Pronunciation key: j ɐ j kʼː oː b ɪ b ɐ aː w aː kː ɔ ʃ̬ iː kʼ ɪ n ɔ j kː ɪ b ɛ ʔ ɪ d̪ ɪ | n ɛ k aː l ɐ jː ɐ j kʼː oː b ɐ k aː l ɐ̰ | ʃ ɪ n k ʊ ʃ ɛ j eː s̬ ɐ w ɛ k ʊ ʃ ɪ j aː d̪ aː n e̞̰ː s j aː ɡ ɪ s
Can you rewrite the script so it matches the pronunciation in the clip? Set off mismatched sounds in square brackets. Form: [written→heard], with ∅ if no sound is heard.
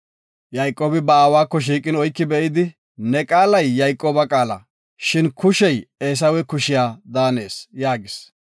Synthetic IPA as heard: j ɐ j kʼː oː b ɪ b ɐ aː w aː kː ɔ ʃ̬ iː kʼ ɪ n ɔ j kː ɪ b ɛ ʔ ɪ d̪ ɪ | n ɛ [k→kʼ] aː l ɐ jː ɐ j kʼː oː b ɐ [k→kʼ] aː l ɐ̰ | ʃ ɪ n k ʊ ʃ ɛ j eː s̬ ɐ w ɛ k ʊ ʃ ɪ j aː d̪ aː n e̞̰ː s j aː ɡ ɪ s